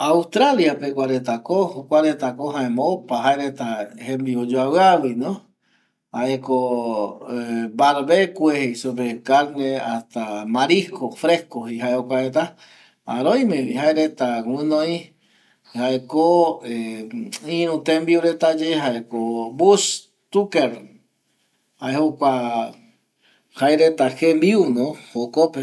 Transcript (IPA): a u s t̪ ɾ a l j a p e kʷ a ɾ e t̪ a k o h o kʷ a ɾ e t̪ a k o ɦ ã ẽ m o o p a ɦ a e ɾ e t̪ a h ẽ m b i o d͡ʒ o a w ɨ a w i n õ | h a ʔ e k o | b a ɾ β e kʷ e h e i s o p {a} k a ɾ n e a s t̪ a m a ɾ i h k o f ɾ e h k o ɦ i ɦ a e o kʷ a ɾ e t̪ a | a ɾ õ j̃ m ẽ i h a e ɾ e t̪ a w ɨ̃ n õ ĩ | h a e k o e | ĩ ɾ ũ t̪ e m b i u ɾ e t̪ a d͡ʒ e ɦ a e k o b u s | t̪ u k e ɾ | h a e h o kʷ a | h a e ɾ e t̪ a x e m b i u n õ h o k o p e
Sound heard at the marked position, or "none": e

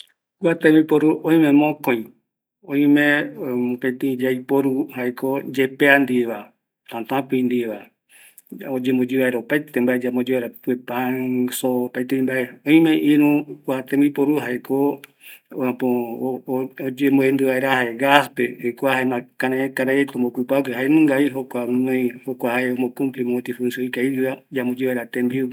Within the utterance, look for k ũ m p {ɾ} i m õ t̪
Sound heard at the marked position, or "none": l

